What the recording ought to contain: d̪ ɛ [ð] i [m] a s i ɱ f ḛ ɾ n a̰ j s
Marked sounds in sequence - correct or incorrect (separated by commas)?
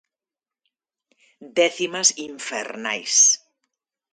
incorrect, correct